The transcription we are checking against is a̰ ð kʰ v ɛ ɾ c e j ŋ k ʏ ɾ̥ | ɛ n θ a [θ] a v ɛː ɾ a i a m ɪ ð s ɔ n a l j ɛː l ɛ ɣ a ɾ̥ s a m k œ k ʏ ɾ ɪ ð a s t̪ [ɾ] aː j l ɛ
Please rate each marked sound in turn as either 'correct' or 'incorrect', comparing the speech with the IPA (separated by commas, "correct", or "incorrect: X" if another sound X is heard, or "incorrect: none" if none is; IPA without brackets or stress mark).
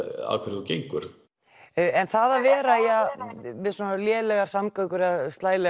incorrect: ð, incorrect: l